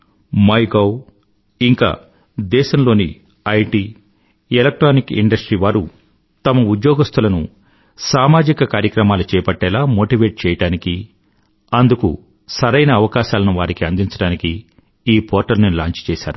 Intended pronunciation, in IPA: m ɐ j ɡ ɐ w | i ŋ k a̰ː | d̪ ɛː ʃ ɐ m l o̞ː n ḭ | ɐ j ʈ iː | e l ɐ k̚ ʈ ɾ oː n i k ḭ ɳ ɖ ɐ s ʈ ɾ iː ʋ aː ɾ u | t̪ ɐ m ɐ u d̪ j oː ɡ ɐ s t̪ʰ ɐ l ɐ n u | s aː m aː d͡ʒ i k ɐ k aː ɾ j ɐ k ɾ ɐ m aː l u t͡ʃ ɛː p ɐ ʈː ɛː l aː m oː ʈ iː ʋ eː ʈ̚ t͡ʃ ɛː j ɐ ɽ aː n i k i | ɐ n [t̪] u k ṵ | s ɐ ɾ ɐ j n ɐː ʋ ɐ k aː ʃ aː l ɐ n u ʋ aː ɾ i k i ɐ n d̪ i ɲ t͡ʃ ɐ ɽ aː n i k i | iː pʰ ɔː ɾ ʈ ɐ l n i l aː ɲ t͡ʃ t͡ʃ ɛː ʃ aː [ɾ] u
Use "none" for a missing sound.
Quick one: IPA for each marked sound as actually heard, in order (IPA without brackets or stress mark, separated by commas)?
d̪, ɾ